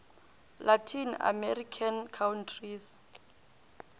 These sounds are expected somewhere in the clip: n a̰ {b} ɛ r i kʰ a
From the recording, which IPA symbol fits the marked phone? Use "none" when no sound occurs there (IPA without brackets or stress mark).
m